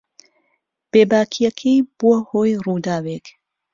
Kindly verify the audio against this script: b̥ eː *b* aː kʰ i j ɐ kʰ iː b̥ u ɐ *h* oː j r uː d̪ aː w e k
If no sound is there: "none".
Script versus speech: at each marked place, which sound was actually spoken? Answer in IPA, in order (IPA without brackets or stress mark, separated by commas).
b, h